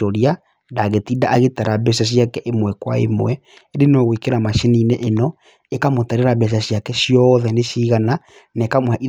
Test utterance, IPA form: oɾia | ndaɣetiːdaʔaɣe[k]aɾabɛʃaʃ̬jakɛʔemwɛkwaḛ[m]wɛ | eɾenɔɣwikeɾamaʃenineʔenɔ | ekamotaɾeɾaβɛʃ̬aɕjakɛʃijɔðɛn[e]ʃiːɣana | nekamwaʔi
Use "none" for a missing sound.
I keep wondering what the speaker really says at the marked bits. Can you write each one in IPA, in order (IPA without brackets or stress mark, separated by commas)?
t, m, e